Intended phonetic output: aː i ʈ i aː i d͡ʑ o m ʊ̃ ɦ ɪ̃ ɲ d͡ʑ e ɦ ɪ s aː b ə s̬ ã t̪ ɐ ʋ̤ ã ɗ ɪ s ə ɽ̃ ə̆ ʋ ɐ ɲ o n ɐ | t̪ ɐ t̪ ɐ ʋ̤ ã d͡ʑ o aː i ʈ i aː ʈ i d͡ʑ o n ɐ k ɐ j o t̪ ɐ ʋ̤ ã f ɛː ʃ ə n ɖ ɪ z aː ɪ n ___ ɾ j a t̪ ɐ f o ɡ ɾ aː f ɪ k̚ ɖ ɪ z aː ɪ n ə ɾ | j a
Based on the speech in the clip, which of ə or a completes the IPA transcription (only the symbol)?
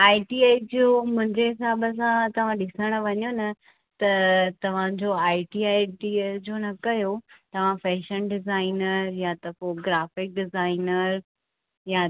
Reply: ə